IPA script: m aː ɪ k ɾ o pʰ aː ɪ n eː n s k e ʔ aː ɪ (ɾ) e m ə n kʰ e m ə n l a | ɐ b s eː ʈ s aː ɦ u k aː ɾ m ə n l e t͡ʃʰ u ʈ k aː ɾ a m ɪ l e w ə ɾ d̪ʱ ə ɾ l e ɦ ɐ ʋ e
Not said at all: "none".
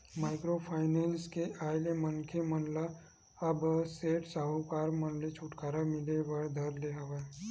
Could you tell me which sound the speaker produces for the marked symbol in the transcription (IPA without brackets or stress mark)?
l